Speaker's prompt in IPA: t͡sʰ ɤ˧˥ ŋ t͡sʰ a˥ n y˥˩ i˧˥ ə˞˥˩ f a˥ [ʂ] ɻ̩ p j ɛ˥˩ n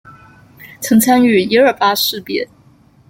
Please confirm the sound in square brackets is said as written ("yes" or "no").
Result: yes